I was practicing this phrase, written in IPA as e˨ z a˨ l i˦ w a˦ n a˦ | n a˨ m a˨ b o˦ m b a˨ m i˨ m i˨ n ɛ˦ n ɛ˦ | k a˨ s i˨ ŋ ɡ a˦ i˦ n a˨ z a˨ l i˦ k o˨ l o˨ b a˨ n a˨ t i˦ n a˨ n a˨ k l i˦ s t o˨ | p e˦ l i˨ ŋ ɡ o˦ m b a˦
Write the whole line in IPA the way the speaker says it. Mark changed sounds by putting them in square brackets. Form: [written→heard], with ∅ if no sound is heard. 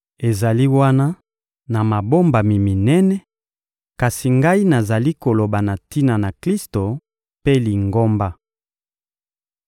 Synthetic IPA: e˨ z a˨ l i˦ w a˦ n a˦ | n a˨ m a˨ b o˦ m b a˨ m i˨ m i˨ n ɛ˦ n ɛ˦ | k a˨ s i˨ ŋ ɡ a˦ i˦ n a˨ z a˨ l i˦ k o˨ l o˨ b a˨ n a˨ t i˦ n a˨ n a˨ k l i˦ s t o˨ | p e˦ l i˨ ŋ ɡ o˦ m b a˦